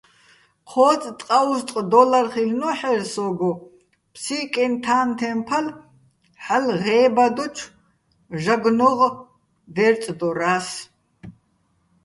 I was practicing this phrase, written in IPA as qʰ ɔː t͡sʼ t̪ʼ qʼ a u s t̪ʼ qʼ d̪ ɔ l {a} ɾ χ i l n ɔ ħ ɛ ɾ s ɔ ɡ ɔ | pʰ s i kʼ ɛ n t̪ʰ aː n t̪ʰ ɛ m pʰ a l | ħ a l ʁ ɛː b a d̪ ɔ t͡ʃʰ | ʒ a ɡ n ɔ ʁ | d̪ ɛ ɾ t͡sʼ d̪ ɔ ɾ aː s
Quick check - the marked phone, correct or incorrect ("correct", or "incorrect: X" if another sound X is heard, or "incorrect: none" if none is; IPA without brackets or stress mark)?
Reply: correct